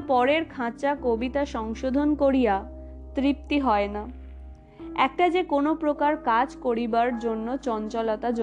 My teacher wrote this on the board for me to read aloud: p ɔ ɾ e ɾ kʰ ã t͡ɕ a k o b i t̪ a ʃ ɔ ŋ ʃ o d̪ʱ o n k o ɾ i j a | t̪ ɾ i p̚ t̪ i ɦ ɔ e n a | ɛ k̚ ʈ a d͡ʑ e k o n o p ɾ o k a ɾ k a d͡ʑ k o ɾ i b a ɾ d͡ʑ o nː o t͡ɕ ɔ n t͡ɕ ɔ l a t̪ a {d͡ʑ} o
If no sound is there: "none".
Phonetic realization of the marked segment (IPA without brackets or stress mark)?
d͡ʑ